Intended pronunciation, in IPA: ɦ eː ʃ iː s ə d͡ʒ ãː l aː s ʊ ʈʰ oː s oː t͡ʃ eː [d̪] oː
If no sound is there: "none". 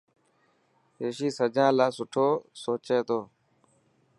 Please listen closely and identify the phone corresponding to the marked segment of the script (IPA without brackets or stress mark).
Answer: t̪